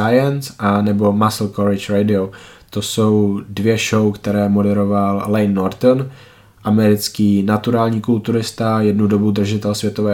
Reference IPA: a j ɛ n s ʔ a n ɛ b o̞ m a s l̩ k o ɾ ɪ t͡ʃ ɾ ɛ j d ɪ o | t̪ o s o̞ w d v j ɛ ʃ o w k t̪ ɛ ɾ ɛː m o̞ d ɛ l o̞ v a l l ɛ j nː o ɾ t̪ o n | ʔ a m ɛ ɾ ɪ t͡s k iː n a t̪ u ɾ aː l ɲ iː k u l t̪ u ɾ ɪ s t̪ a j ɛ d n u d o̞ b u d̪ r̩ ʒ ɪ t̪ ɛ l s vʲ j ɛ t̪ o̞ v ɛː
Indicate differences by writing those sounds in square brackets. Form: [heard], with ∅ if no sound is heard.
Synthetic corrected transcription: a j ɛ n s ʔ a n ɛ b o̞ m a s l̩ k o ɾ ɪ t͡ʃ ɾ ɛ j d ɪ o | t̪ o s o̞ w d v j ɛ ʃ o w k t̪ ɛ ɾ ɛː m o̞ d ɛ [ɾ] o̞ v a l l ɛ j nː o ɾ t̪ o n | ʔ a m ɛ ɾ ɪ t͡s k iː n a t̪ u ɾ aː l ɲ iː k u l t̪ u ɾ ɪ s t̪ a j ɛ d n u d o̞ b u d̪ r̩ ʒ ɪ t̪ ɛ l s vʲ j ɛ t̪ o̞ v ɛː